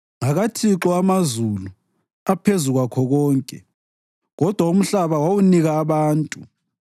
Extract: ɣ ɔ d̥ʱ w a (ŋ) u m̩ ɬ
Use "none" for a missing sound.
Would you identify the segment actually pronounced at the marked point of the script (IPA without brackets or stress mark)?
none